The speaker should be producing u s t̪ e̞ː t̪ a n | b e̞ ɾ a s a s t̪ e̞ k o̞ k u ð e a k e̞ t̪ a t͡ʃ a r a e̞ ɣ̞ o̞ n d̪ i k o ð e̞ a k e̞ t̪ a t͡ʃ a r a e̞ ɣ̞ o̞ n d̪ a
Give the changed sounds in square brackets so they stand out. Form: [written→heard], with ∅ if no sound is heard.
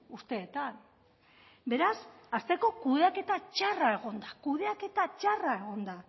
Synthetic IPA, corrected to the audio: u s t̪ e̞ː t̪ a n | b e̞ ɾ a s a s t̪ e̞ k o̞ k u ð e a k e̞ t̪ a t͡ʃ a r a e̞ ɣ̞ o̞ n d̪ [i→a] k [o→u] ð e̞ a k e̞ t̪ a t͡ʃ a r a e̞ ɣ̞ o̞ n d̪ a